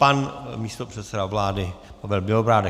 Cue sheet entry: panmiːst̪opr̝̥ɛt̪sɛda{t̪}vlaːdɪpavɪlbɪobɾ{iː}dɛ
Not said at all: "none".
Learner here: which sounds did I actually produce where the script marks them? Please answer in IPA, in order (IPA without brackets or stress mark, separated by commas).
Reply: none, aː